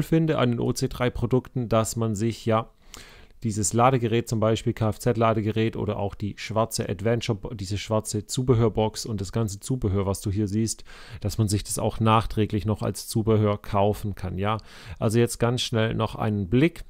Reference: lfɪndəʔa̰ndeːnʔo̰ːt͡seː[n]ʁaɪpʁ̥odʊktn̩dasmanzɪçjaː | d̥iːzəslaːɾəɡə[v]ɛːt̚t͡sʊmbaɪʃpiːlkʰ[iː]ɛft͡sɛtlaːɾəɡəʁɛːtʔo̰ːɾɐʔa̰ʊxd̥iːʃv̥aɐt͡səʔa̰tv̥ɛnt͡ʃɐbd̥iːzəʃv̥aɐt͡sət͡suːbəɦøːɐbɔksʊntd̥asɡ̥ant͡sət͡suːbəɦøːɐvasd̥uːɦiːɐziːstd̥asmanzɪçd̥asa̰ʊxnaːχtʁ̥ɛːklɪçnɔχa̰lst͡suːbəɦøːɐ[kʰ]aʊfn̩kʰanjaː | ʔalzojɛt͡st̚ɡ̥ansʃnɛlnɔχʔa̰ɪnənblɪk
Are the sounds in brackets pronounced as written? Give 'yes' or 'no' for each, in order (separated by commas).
no, no, no, yes